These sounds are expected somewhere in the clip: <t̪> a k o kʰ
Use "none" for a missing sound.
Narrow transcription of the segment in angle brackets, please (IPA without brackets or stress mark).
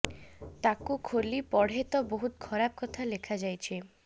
t̪